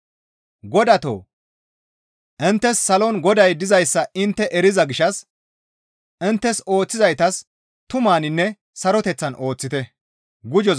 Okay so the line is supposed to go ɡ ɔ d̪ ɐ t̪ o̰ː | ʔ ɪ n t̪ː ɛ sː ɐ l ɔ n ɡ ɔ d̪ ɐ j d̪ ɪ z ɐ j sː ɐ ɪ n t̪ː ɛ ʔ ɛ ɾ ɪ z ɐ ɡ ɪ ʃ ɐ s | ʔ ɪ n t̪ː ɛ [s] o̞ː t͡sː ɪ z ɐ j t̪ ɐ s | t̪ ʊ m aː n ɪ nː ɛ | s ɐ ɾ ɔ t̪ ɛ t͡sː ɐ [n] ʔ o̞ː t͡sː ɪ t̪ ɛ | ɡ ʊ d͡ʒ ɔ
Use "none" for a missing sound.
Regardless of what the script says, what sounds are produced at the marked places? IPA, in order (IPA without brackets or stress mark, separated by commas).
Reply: s, n